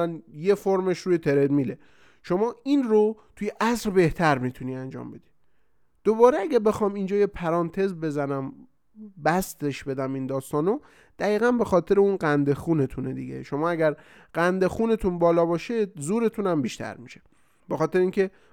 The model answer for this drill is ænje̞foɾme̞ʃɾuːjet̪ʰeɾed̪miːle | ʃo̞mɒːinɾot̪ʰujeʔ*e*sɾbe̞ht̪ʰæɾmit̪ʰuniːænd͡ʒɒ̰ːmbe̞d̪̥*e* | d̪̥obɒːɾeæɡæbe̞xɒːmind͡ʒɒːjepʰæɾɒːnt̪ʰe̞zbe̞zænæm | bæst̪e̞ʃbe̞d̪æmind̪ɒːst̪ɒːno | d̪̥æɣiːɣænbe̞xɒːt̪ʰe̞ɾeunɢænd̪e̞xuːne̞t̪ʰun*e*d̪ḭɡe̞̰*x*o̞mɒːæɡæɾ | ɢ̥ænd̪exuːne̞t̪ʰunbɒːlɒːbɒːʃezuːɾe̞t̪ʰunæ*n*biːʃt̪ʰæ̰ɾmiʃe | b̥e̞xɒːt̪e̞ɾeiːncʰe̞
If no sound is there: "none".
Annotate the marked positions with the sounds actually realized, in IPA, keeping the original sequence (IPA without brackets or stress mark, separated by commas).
æ, i, e, ʃ, m